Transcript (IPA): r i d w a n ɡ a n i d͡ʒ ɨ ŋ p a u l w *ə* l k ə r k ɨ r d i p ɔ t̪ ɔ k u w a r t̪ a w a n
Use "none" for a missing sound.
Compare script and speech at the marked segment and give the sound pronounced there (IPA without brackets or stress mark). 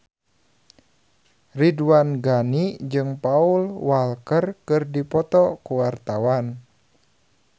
a